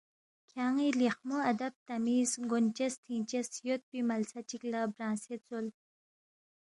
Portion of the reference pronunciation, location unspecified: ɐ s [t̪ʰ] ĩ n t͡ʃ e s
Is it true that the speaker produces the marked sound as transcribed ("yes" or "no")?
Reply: yes